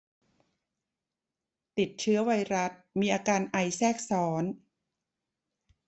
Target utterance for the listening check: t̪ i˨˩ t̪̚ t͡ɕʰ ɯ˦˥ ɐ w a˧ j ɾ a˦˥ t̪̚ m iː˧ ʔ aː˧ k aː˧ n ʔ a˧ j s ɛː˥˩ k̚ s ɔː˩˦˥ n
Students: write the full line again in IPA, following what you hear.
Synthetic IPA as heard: t̪ i˨˩ t̪̚ t͡ɕʰ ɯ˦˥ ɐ w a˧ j ɾ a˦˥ t̪̚ m iː˧ ʔ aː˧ k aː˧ n ʔ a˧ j s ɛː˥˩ k̚ s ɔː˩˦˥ n